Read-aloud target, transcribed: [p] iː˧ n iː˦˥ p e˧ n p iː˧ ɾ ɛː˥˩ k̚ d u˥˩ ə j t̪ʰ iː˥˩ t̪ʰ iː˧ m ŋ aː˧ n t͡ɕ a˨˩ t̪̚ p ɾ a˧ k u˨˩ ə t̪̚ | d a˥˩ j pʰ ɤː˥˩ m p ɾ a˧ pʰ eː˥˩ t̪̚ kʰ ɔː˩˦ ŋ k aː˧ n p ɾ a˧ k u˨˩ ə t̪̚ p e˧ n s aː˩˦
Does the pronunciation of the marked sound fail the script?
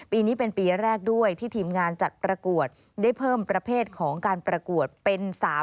no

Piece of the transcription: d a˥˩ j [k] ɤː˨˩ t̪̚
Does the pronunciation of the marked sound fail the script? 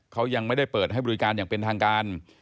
yes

